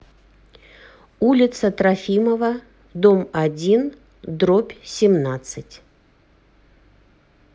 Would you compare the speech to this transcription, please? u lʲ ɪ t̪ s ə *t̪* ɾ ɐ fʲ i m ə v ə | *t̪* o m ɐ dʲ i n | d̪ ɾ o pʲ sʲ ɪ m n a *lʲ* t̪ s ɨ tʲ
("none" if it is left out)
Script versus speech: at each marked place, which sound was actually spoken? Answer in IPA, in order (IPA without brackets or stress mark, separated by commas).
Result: t̪, d̪, none